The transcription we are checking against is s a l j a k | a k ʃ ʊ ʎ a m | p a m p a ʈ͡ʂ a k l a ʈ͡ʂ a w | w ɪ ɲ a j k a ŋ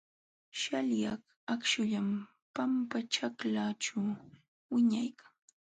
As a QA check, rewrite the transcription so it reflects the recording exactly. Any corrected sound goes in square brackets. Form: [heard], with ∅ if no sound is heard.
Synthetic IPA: [ʃ] a l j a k | a k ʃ ʊ ʎ a m | p a m p a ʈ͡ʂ a k l a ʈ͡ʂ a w | w ɪ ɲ a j k a ŋ